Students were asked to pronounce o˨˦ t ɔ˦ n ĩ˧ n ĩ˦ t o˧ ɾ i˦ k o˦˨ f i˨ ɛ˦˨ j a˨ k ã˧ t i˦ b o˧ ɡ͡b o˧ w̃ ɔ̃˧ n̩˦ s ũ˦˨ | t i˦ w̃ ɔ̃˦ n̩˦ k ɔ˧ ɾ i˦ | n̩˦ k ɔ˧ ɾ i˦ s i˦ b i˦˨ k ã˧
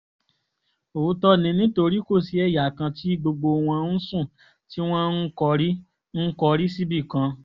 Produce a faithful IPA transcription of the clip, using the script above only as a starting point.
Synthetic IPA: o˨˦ t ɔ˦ n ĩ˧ n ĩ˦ t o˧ ɾ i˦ k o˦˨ s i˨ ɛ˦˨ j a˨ k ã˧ t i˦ ɡ͡b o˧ ɡ͡b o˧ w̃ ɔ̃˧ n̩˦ s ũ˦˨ | t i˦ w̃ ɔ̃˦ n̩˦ k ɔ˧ ɾ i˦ | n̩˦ k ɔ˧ ɾ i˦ s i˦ b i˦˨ k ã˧